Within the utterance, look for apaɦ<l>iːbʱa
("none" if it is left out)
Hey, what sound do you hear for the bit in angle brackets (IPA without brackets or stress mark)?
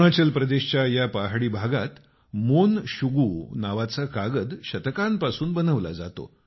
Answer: ɽ